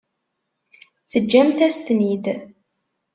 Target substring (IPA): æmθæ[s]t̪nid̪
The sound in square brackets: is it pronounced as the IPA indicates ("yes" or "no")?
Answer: yes